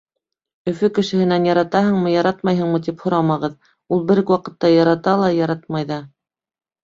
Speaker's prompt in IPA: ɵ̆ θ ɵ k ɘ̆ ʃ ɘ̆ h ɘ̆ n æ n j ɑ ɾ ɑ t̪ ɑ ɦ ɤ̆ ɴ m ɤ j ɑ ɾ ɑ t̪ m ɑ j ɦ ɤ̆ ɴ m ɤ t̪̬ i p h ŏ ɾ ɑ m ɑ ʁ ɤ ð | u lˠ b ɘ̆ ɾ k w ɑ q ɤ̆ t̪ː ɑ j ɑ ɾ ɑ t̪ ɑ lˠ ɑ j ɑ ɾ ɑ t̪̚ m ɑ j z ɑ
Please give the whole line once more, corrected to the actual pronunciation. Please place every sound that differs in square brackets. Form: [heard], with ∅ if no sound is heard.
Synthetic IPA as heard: ɵ̆ [f] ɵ k ɘ̆ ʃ ɘ̆ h ɘ̆ n æ n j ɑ ɾ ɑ t̪ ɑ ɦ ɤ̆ ɴ m ɤ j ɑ ɾ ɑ t̪ m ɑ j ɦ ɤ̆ ɴ m ɤ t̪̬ i p h ŏ ɾ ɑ m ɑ ʁ ɤ ð | u lˠ b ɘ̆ ɾ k w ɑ q ɤ̆ t̪ː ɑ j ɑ ɾ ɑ t̪ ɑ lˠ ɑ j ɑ ɾ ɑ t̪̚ m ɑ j [ð] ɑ